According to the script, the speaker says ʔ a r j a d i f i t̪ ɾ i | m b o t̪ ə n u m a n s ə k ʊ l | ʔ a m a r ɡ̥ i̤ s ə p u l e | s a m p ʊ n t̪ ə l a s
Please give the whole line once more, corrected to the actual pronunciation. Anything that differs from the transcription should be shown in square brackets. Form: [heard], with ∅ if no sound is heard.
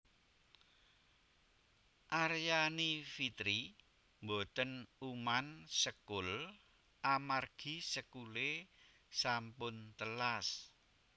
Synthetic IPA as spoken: ʔ a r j a [n] i f i t̪ ɾ i | m b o t̪ ə n u m a n s ə k ʊ l | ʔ a m a r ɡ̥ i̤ s ə [k] u l e | s a m p ʊ n t̪ ə l a s